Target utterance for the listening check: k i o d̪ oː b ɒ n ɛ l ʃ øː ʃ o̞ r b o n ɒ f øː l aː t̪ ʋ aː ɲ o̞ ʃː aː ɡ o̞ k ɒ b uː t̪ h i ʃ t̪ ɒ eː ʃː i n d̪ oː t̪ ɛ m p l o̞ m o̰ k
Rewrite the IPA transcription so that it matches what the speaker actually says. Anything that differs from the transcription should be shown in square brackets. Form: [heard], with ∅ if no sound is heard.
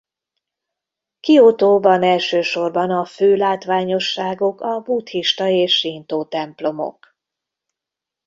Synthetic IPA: k i o [t̪] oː b ɒ n ɛ l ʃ øː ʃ o̞ r b [ɒ] n ɒ f øː l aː t̪ ʋ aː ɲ o̞ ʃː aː ɡ o̞ k ɒ b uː t̪ h i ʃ t̪ ɒ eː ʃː i n [t̪] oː t̪ ɛ m p l o̞ m o̰ k